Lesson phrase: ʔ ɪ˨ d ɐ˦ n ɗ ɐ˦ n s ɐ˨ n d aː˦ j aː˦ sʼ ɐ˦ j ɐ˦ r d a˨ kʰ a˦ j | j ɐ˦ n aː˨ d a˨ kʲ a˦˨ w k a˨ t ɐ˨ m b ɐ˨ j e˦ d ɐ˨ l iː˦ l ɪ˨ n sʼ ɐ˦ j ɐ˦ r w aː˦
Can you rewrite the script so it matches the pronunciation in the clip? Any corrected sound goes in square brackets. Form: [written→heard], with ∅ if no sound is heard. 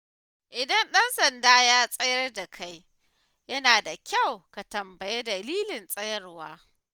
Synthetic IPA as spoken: ʔ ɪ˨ d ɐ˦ n ɗ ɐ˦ n s ɐ˨ n d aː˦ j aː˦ sʼ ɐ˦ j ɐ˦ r d a˨ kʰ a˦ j | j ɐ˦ n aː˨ d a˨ kʲ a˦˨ w k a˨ t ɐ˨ m b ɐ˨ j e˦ d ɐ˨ l iː˦ l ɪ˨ n sʼ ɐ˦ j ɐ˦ r w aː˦